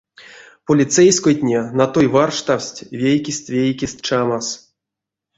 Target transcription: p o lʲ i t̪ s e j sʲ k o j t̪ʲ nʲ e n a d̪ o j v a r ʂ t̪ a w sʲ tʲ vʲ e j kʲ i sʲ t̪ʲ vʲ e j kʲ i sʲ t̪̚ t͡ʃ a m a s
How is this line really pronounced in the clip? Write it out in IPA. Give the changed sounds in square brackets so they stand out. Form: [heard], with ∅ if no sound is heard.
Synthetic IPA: p o lʲ i t̪ s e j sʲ k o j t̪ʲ nʲ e n a [t̪] o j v a r ʂ t̪ a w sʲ tʲ vʲ e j kʲ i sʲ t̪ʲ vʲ e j kʲ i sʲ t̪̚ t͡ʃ a m a s